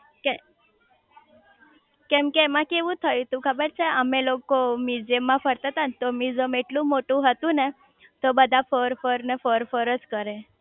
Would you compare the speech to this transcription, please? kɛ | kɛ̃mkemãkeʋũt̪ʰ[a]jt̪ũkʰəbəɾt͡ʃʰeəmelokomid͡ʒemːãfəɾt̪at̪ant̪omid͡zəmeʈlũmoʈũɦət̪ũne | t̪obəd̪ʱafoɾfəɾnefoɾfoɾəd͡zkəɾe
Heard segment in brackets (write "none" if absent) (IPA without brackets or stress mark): ə